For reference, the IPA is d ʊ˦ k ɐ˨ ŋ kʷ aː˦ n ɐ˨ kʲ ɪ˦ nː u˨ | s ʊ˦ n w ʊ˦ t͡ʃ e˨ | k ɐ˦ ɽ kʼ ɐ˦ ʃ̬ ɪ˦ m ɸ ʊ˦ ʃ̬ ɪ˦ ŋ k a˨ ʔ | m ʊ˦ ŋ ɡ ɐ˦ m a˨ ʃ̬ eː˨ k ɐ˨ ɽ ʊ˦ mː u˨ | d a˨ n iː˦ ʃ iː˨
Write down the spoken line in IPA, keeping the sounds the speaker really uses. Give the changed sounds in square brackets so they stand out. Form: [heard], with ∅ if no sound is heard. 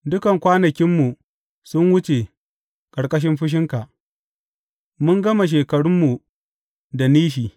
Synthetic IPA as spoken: d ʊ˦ k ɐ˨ ŋ kʷ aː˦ n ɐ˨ kʲ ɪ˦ [mː] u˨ | s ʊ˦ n w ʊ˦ t͡ʃ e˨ | k [ɐ˨] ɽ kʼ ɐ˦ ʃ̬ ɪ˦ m ɸ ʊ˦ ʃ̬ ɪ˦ ŋ k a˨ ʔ | m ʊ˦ ŋ ɡ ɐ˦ m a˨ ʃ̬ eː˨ k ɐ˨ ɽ ʊ˦ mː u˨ | d a˨ n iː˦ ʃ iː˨

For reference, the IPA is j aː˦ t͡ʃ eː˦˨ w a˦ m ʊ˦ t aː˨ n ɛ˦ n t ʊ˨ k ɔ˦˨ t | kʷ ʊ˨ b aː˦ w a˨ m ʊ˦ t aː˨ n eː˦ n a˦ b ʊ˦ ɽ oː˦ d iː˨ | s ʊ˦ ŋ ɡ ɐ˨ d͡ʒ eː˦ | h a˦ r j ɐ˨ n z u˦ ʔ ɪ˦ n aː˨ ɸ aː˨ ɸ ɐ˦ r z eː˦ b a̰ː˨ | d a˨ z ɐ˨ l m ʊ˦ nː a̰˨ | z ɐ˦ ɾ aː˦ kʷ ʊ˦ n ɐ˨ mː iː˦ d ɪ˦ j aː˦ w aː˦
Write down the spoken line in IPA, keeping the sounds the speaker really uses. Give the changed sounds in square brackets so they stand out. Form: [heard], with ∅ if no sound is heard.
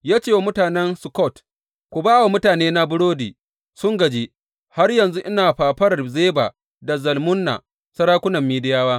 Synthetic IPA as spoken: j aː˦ t͡ʃ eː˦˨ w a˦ m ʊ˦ t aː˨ n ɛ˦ n [s] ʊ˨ k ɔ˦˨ t | kʷ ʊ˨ b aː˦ w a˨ m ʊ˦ t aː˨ n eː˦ n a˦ b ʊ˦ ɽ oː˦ d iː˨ | s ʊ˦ ŋ ɡ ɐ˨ d͡ʒ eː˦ | h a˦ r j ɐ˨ n z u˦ ʔ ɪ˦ n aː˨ ɸ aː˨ ɸ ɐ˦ r z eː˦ b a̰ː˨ | d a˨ z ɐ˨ l m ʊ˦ nː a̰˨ | [s] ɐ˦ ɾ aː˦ kʷ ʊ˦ n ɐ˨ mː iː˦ d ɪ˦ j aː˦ w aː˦

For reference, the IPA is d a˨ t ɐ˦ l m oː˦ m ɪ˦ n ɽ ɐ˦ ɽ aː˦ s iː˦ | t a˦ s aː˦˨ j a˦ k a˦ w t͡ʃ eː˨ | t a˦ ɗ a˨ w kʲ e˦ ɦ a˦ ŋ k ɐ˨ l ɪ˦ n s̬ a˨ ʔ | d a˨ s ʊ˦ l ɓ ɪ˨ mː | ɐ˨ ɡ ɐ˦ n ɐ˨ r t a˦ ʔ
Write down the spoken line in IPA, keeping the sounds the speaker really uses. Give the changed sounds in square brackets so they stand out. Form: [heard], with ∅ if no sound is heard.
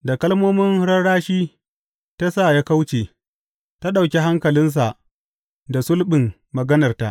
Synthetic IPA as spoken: d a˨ [k] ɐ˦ l m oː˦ m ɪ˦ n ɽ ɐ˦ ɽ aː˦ [ʃ] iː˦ | t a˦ s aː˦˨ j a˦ k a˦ w t͡ʃ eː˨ | t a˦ ɗ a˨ w kʲ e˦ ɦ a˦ ŋ k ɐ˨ l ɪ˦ n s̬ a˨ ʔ | d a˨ s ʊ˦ l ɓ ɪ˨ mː | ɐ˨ ɡ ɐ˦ n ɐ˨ r t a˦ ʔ

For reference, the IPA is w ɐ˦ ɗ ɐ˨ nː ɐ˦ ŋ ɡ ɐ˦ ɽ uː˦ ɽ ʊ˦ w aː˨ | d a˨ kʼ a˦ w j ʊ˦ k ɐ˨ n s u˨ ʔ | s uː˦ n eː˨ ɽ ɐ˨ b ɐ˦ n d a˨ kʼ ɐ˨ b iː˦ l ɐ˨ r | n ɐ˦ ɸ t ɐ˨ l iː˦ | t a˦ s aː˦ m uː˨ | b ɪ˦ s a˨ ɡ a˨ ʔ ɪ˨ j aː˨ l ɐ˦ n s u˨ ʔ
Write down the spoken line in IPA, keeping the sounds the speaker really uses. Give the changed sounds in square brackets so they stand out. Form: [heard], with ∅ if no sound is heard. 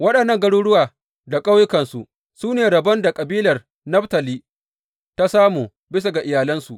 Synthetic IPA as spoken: w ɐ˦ ɗ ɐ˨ nː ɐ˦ ŋ ɡ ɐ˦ ɽ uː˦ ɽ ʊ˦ w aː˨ | d a˨ kʼ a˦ w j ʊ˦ k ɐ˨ n s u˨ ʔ | s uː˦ n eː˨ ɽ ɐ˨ b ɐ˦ n d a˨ kʼ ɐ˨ b iː˦ l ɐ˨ r | n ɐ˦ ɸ t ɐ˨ l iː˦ | t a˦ s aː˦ m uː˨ | b ɪ˦ s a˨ ɡ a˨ ʔ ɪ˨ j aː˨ l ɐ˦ n s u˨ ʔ

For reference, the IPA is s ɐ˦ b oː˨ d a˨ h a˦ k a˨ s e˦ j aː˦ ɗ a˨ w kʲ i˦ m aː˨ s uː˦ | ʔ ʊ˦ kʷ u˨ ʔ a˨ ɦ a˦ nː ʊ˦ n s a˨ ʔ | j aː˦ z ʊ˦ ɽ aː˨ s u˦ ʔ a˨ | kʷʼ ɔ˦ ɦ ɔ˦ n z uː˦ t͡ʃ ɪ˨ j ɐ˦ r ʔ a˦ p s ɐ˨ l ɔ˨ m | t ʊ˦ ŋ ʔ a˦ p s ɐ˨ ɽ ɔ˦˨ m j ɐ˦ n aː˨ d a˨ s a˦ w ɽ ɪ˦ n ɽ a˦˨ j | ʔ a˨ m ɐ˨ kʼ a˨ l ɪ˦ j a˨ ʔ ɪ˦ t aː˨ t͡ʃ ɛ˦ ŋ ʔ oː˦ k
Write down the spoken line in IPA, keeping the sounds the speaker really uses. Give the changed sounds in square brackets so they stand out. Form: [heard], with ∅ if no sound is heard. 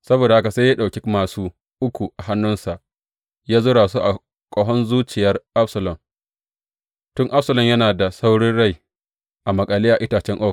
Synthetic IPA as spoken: s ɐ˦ b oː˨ d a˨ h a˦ k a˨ s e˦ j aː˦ ɗ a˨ w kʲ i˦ m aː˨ s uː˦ | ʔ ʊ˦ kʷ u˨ ʔ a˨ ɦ a˦ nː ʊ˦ n s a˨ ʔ | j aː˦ z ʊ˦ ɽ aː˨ s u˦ ʔ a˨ | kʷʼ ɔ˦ ɦ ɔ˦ n z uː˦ t͡ʃ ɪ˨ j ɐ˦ r ʔ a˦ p s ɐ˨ l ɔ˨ m | t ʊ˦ ŋ ʔ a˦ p s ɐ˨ [l] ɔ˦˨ m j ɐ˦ n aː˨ d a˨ s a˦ w ɽ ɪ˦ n ɽ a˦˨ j | ʔ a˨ m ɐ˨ kʼ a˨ l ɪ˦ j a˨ ʔ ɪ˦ t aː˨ t͡ʃ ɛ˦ ŋ ʔ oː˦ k

